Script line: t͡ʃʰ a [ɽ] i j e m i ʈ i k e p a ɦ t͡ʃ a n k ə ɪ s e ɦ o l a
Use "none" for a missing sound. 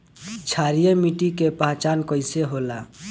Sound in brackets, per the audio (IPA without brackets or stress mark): ɾ